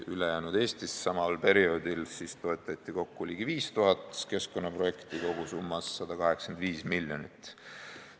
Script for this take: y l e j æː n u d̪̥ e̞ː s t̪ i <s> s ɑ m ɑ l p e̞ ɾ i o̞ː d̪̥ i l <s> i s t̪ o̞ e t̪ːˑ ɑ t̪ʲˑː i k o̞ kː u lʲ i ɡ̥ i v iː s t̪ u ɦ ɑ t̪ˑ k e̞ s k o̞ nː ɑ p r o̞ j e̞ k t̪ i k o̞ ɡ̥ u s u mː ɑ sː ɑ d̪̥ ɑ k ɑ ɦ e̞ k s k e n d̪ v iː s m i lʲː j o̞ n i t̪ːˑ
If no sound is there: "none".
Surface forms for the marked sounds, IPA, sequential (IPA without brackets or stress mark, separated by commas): s, s